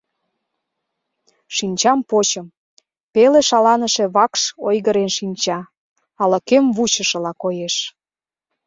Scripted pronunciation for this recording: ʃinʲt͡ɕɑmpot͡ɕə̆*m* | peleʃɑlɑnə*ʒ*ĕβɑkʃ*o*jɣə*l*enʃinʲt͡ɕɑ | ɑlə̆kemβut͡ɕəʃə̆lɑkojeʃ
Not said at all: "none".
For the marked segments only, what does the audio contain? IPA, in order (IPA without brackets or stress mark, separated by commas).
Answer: m, ʃ, o, ɾ